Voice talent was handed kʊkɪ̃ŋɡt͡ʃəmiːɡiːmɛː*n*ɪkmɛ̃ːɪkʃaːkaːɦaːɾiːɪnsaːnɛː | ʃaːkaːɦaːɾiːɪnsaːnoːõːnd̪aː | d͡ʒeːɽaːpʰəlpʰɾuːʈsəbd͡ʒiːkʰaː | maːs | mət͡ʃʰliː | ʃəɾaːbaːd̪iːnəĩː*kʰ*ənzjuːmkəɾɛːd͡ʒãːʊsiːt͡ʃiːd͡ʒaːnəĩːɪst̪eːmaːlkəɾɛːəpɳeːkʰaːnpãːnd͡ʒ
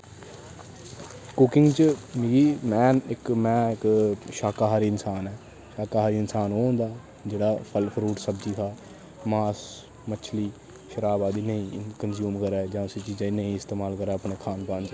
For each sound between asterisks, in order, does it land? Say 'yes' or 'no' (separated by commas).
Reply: yes, no